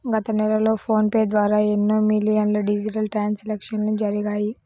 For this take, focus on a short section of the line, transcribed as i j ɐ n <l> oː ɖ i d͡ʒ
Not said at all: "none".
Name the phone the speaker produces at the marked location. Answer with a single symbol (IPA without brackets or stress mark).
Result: l